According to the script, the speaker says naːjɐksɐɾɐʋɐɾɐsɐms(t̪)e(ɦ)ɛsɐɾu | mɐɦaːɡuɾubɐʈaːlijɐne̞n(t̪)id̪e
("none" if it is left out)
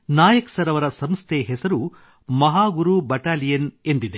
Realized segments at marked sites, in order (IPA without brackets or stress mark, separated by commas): t̪ʰ, ɦ, d̪